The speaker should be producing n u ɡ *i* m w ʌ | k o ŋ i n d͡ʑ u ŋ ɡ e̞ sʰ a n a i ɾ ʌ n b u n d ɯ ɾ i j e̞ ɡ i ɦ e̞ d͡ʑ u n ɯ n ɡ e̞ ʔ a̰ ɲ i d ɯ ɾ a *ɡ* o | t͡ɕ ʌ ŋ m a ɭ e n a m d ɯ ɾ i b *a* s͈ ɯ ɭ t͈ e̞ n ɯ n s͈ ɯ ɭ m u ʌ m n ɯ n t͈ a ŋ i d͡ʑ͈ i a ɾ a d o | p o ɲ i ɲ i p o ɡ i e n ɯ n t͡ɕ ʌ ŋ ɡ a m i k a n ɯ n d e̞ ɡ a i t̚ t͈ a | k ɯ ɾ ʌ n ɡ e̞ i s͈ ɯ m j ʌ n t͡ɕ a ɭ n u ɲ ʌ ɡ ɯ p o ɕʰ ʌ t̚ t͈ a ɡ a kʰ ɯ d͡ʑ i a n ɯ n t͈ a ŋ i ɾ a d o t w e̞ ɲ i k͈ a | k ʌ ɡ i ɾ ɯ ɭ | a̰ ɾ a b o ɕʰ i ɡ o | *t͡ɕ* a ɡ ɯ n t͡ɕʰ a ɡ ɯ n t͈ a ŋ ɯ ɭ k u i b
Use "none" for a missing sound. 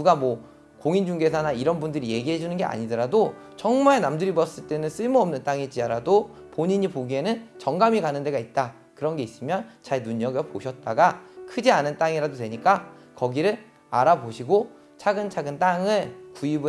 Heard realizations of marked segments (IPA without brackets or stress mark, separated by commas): a, d, ʌ, t͡ɕʰ